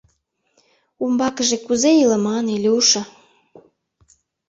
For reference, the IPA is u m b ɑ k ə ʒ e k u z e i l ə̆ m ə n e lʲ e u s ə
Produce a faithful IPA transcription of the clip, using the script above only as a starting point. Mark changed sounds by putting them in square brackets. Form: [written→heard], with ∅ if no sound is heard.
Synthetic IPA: u m b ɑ k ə ʒ e k u z e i l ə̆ m [ə→ɑ] n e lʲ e u [s→ʃ] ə